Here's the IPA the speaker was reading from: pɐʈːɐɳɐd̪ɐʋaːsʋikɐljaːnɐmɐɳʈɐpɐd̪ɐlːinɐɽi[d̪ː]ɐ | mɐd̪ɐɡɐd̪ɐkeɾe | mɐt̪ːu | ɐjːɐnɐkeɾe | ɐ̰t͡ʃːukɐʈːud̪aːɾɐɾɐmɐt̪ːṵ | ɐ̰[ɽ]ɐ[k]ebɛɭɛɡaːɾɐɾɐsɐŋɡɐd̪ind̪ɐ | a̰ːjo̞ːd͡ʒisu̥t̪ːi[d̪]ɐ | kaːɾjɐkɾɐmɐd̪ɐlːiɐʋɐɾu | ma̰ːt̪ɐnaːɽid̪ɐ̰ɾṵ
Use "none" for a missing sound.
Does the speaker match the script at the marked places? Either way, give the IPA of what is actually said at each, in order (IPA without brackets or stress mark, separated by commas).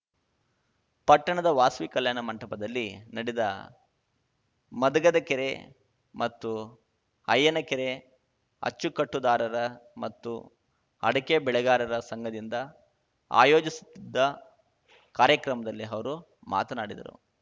d̪, ɽ, k, d̪ː